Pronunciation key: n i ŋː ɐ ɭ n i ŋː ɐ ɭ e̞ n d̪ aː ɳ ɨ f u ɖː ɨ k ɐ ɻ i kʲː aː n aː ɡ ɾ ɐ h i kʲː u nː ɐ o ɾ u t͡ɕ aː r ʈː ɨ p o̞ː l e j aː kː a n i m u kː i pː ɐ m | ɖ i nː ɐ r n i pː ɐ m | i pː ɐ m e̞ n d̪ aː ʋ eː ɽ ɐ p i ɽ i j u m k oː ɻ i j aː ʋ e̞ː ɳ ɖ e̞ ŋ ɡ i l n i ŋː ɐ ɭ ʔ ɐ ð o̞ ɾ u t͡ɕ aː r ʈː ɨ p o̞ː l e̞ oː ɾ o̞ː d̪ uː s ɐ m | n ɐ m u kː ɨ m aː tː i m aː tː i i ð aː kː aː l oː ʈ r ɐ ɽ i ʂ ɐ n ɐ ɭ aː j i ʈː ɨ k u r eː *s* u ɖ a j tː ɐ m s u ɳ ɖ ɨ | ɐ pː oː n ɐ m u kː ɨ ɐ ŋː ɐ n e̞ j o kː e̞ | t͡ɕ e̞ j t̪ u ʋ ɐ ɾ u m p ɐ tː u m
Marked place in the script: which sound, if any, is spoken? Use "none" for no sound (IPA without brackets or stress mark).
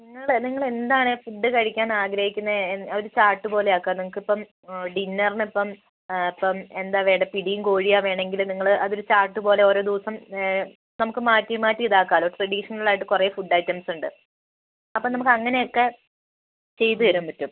f